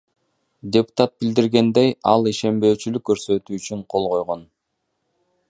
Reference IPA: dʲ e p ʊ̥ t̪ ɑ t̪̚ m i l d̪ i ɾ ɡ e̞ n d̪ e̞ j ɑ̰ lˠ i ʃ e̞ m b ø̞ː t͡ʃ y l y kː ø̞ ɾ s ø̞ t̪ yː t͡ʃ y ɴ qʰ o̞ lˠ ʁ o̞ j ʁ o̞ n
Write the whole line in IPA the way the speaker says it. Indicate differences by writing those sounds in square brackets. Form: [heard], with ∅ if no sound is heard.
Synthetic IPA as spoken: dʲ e p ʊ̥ t̪ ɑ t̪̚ [b] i l d̪ i ɾ ɡ e̞ n d̪ e̞ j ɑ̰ lˠ i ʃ e̞ m b ø̞ː t͡ʃ y l y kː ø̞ ɾ s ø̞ t̪ yː t͡ʃ y ɴ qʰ o̞ lˠ ʁ o̞ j ʁ o̞ n

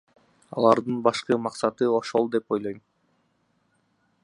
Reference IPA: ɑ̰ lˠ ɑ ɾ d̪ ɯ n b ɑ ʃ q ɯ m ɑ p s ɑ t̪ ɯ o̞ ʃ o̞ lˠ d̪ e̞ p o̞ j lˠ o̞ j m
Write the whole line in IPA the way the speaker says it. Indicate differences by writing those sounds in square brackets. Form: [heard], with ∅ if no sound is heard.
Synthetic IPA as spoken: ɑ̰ lˠ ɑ ɾ d̪ ɯ n b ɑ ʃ q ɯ m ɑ [q] s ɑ t̪ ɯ o̞ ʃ o̞ lˠ d̪ e̞ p o̞ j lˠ o̞ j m

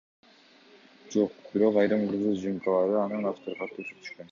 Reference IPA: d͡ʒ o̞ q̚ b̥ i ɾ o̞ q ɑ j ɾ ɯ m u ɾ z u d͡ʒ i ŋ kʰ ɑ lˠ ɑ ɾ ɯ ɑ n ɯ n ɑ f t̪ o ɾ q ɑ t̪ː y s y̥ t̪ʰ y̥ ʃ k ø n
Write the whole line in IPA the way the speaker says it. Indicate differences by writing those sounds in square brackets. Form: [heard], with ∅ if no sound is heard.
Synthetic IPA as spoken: d͡ʒ o̞ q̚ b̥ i ɾ o̞ q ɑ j ɾ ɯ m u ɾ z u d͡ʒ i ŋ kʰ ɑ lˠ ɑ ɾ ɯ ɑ n ɯ n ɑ f t̪ o ɾ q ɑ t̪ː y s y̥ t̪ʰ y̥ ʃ k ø n

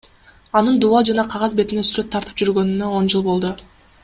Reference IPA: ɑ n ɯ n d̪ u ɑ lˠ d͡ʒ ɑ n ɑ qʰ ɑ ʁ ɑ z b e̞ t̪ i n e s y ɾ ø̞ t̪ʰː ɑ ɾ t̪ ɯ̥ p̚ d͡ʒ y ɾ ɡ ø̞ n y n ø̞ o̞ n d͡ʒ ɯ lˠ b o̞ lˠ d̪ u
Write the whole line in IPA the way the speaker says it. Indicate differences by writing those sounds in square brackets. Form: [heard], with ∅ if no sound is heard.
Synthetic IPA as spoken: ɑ n ɯ n d̪ u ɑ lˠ d͡ʒ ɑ n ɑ qʰ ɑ ʁ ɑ z b e̞ t̪ i n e s y ɾ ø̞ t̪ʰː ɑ ɾ t̪ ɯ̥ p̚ d͡ʒ y ɾ ɡ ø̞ n y n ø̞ o̞ n d͡ʒ ɯ lˠ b o̞ lˠ d̪ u

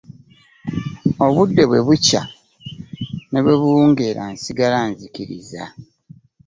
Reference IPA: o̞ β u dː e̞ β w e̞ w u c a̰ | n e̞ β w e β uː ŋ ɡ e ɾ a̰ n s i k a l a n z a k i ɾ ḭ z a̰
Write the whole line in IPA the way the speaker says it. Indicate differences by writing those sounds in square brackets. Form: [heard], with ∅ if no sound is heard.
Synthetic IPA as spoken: o̞ β u dː e̞ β w e̞ [β] u c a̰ | n e̞ β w e β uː ŋ ɡ e ɾ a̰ n s i [ɡ] a l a n z [i] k i ɾ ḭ z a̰

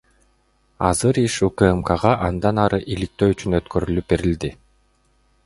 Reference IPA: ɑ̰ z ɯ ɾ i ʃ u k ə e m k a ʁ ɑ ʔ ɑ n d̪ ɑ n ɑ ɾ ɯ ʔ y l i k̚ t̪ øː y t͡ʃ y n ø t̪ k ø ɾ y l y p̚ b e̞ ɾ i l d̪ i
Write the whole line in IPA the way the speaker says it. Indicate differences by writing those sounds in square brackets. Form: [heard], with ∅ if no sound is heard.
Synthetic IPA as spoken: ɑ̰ z ɯ ɾ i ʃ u k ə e m k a ʁ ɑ ʔ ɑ n d̪ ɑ n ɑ ɾ ɯ ʔ [i] l i k̚ t̪ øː y t͡ʃ y n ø t̪ k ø ɾ y l y p̚ b e̞ ɾ i l d̪ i

